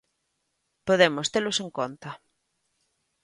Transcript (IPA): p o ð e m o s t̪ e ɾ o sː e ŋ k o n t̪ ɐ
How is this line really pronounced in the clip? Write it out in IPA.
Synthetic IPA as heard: p o ð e m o s t̪ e l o s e ŋ k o n t̪ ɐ

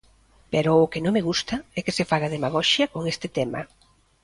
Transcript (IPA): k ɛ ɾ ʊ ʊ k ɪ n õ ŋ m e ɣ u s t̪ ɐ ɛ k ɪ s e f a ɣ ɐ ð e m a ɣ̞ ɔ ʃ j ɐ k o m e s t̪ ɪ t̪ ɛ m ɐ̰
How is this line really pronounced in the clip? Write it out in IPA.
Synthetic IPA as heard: p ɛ ɾ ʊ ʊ k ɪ n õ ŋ m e ɣ u s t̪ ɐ ɛ k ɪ s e f a ɣ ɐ ð e m a ɣ̞ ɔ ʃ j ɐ k o ŋ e s t̪ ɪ t̪ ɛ m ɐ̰

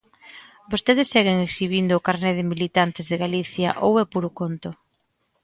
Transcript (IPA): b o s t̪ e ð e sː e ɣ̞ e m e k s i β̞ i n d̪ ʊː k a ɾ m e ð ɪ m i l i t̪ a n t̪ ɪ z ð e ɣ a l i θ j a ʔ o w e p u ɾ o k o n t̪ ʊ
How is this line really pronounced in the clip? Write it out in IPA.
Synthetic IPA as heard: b o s t̪ e ð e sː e ɣ̞ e ŋ e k s i β̞ i n d̪ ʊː k a ɾ n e ð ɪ m i l i t̪ a n t̪ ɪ z ð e ɣ a l i θ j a ʔ o w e p u ɾ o k o n t̪ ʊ

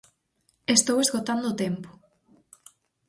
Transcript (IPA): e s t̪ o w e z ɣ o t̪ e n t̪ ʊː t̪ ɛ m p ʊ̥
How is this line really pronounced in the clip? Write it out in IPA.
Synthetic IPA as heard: e s t̪ o w e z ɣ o t̪ a n d̪ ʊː t̪ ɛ m p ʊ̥

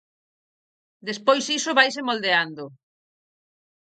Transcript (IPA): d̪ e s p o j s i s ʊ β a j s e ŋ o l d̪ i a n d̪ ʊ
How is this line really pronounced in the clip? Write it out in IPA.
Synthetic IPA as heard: d̪ e s p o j s i s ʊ β a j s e m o l d̪ e a n d̪ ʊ

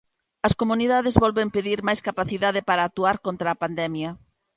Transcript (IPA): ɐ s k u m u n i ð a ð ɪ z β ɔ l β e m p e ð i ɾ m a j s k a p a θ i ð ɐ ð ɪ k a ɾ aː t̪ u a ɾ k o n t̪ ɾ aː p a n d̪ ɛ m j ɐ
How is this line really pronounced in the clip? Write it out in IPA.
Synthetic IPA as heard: ɐ s k o m u n i ð a ð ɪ z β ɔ l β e m p e ð i ɾ m a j s k a p a θ i ð a ð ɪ p a ɾ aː t̪ u a ɾ k o n t̪ ɾ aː p a n d̪ ɛ m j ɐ

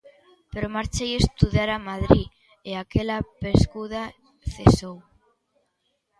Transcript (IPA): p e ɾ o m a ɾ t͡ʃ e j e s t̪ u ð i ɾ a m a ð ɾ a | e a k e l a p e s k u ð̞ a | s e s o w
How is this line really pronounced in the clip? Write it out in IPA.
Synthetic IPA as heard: p e ɾ o m a ɾ t͡ʃ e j e s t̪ u ð a ɾ a m a ð ɾ i | e a k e l a p e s k u ð̞ a | θ e s o w

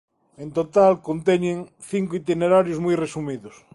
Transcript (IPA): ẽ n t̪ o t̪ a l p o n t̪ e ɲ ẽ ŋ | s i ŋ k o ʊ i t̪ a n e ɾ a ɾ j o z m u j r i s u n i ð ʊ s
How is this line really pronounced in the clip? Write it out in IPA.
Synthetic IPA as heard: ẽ n t̪ o t̪ a l k o n t̪ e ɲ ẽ ŋ | θ i ŋ k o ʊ i t̪ i n e ɾ a ɾ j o z m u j r e s u m i ð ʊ s

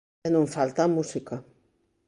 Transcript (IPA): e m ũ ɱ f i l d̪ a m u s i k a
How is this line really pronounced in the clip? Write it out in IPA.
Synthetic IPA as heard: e n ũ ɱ f a l t̪ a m u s i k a

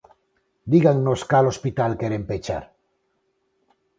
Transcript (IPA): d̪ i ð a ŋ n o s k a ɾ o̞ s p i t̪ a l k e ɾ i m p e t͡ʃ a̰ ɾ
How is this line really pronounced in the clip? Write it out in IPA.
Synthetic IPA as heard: d̪ i ɣ a ŋ n o s k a l o̞ s p i t̪ a l k e ɾ e m p e t͡ʃ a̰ ɾ

